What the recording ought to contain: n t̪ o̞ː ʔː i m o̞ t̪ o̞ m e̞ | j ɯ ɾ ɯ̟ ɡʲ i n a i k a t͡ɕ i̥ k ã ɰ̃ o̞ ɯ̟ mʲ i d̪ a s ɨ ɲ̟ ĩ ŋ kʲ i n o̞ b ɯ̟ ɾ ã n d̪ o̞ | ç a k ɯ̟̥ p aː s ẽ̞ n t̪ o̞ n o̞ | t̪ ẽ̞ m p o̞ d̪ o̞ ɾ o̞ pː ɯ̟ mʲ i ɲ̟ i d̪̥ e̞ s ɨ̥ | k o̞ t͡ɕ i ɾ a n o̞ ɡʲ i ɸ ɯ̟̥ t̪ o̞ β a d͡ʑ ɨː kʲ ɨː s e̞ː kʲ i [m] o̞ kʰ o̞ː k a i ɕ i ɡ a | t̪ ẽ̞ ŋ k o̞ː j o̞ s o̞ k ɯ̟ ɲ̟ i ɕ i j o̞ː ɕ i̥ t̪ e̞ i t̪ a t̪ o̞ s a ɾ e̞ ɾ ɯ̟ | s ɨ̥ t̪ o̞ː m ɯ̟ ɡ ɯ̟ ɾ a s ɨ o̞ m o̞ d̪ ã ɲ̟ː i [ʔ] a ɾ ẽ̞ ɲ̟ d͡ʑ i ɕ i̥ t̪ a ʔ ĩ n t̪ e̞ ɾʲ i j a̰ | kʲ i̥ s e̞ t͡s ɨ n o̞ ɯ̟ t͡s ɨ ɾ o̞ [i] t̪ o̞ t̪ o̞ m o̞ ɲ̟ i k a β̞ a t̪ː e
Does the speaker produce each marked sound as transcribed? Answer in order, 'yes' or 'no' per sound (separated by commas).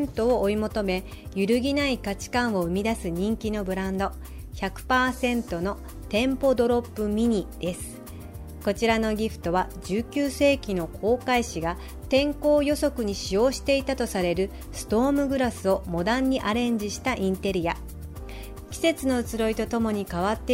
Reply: no, yes, yes